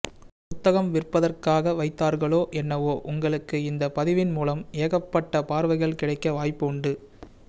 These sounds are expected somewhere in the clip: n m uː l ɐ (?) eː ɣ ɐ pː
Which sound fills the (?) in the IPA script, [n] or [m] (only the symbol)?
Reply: m